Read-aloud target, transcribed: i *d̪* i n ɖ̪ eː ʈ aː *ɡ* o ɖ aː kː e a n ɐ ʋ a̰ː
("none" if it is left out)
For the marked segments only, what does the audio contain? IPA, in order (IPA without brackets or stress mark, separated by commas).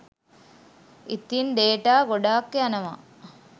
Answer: t̪, ɡ